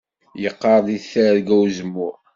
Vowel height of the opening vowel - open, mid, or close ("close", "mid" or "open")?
mid